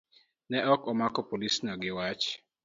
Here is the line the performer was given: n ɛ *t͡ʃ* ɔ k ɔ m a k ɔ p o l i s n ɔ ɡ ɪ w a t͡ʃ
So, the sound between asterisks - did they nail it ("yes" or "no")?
no